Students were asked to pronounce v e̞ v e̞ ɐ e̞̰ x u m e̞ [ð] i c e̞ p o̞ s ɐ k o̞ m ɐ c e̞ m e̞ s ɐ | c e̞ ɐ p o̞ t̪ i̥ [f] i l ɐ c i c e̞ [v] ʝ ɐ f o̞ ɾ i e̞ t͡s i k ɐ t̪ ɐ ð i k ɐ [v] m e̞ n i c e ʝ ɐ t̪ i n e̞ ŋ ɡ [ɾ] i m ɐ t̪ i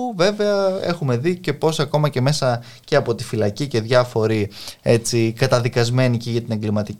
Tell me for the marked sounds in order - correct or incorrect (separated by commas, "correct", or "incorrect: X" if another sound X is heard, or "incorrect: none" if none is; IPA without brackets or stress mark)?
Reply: correct, correct, incorrect: ð, incorrect: z, incorrect: l